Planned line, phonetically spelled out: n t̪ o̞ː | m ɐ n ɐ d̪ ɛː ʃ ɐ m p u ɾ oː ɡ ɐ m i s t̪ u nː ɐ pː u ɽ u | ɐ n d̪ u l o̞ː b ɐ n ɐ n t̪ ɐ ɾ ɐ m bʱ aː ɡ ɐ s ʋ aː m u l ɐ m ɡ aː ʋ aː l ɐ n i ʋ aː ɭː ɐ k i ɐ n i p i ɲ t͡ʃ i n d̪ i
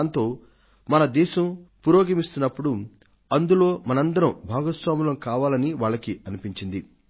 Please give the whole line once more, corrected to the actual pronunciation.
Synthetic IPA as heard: n t̪ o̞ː | m ɐ n ɐ d̪ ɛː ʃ ɐ m p u ɾ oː ɡ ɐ m i s t̪ u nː ɐ pː u ɽ u | ɐ n d̪ u l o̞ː m ɐ n ɐ n d̪ ɐ ɾ ɐ m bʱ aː ɡ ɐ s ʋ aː m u l ɐ m k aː ʋ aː l ɐ n i ʋ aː ɭː ɐ k i ɐ n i p i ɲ t͡ʃ i n d̪ i

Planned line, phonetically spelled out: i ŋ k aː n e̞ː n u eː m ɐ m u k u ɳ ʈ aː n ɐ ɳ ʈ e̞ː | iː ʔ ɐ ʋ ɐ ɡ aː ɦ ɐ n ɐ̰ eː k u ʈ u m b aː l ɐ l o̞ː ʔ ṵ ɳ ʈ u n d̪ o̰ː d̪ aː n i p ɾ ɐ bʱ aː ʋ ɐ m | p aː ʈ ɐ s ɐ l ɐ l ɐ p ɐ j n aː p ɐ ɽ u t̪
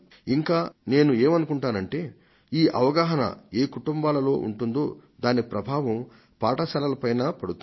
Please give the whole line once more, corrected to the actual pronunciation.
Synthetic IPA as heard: i ŋ k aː n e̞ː n u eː m ɐ n u k u ɳ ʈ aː n ɐ ɳ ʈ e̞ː | iː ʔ ɐ ʋ ɐ ɡ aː ɦ ɐ n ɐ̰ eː k u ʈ u m b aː l ɐ l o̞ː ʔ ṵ ɳ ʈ u n d̪ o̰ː d̪ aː n i p ɾ ɐ bʱ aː ʋ ɐ m | p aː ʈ ɐ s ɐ l ɐ l ɐ p ɐ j n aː p ɐ ɽ u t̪

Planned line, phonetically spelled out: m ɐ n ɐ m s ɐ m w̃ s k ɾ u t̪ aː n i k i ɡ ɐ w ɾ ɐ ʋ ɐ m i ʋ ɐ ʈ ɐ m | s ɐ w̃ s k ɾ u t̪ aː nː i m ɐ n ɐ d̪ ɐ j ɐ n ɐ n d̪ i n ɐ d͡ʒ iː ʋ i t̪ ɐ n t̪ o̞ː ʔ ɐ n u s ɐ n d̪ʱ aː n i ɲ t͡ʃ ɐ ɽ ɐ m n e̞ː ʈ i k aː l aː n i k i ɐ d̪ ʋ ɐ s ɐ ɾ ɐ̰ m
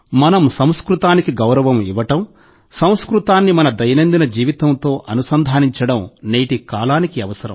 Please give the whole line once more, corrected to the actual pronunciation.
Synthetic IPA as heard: m ɐ n ɐ m s ɐ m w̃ s k ɾ u t̪ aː n i k i ɡ ɐ w ɾ ɐ ʋ ɐ m i ʋ ɐ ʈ ɐ m | s ɐ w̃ s k ɾ u t̪ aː nː i m ɐ n ɐ d̪ ɐ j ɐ n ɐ n d̪ i n ɐ d͡ʒ iː ʋ i t̪ ɐ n t̪ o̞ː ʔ ɐ n u s ɐ n d̪ʱ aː n i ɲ t͡ʃ ɐ ɽ ɐ m n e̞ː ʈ i k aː l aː n i k i ɐ ʋ ɐ s ɐ ɾ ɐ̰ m

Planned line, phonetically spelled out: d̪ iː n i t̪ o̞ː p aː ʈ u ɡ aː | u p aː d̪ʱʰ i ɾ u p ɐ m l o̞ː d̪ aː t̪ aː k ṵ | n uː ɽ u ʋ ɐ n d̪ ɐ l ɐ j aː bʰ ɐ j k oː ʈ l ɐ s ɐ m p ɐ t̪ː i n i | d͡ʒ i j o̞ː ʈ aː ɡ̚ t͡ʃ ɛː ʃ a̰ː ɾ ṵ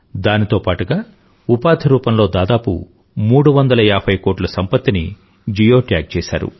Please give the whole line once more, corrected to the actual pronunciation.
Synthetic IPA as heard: d̪ aː n i t̪ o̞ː p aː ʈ u ɡ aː | u p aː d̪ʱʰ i ɾ uː p ɐ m l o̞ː d̪ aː d̪ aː p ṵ | m uː ɽ u ʋ ɐ n d̪ ɐ l ɐ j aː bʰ ɐ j k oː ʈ l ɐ s ɐ m p ɐ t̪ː i n i | d͡ʒ i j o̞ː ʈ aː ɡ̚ t͡ʃ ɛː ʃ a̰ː ɾ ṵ

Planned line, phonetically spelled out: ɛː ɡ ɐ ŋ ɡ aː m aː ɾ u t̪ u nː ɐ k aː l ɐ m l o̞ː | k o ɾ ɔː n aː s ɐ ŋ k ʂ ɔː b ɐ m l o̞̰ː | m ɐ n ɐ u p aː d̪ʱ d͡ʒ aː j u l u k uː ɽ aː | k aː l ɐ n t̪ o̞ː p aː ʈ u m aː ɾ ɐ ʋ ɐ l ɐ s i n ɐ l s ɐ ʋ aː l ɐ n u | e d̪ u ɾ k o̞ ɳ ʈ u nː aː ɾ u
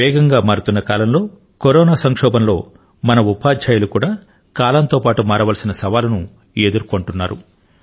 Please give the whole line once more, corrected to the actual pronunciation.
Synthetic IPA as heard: ɛː ɡ ɐ ŋ ɡ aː m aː ɾ u t̪ u nː ɐ k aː l ɐ m l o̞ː | k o ɾ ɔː n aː s ɐ ŋ k ʂ ɔː b ɐ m l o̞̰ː | m ɐ n ɐ u p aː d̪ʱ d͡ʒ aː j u l u k uː ɽ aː | k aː l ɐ n t̪ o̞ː p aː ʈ u m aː ɾ ɐ ʋ ɐ l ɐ s i n ɐ s ɐ ʋ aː l ɐ n u | e d̪ u ɾ k o̞ ɳ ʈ u nː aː ɾ u

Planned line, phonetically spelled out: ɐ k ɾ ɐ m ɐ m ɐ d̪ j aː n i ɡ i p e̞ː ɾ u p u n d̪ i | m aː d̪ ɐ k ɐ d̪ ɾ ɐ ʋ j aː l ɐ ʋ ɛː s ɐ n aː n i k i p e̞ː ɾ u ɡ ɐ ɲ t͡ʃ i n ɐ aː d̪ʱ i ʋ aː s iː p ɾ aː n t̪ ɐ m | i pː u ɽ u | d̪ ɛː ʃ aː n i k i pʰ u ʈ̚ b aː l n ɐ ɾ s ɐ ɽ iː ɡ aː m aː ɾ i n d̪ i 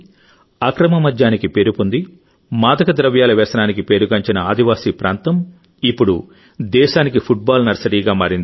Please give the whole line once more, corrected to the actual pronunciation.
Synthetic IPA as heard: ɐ k ɾ ɐ m ɐ m ɐ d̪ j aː n i k i p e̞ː ɾ u p u n d̪ i | m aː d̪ ɐ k ɐ d̪ ɾ ɐ ʋ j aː l ɐ ʋ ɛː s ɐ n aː n i k i p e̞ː ɾ u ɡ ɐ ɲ t͡ʃ i n ɐ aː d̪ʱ i ʋ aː s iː p ɾ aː n t̪ ɐ m | i pː u ɽ u | d̪ ɛː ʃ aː n i k i pʰ u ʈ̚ b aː l n ɐ ɾ s ɐ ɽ iː ɡ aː m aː ɾ i n d̪ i

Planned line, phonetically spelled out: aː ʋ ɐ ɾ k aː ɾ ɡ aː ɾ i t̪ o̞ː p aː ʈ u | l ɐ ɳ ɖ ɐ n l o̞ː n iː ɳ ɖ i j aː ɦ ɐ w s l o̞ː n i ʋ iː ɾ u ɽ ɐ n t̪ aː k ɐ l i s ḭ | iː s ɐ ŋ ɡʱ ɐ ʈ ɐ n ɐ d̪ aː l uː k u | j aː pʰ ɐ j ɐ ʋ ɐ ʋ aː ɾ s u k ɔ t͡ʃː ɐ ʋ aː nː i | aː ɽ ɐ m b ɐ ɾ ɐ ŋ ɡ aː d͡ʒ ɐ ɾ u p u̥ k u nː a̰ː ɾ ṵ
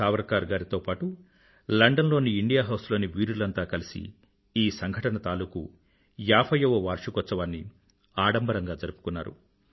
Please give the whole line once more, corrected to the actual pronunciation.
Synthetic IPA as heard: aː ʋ ɐ ɾ k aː ɾ ɡ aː ɾ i t̪ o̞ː p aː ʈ u | l ɐ ɳ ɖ ɐ n l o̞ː n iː ɳ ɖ i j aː ɦ ɐ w s l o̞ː n i ʋ iː ɾ u l ɐ n t̪ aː k ɐ l i s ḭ | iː s ɐ ŋ ɡʱ ɐ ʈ ɐ n ɐ t̪ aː l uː k u | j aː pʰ ɐ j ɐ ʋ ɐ ʋ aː ɾ ʂ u k ɔ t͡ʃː ɐ ʋ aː nː i | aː ɽ ɐ m b ɐ ɾ ɐ ŋ ɡ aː d͡ʒ ɐ ɾ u p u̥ k u nː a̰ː ɾ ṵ

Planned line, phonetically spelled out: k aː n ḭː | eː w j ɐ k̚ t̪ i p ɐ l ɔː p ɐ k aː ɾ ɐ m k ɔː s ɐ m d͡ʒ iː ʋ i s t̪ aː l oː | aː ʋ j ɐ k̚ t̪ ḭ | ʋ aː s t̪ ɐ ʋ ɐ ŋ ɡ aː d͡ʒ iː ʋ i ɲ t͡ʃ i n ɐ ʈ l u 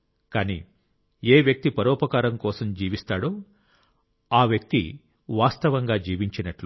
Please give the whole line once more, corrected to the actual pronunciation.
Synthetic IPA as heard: k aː n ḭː | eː ʋ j ɐ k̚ t̪ i p ɐ ɾ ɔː p ɐ k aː ɾ ɐ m k ɔː s ɐ m d͡ʒ iː ʋ i s t̪ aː ɽ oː | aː ʋ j ɐ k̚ t̪ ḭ | ʋ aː s t̪ ɐ ʋ ɐ ŋ ɡ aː d͡ʒ iː ʋ i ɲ t͡ʃ i n ɐ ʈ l u

